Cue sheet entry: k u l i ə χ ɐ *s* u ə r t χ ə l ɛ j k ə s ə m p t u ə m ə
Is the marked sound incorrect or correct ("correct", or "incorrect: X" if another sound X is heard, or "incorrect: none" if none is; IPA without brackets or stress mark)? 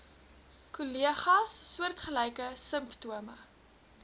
incorrect: sː